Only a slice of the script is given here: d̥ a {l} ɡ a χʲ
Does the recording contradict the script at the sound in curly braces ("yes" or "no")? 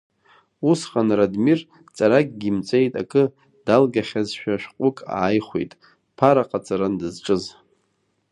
no